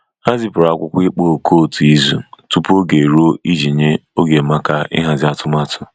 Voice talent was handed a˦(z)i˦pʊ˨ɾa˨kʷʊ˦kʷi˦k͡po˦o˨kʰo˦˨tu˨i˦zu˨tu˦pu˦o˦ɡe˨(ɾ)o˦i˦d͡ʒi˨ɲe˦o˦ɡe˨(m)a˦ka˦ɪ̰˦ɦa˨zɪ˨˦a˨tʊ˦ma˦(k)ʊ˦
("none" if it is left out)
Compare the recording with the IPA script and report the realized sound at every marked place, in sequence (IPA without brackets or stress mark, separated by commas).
z, ɾ, m, t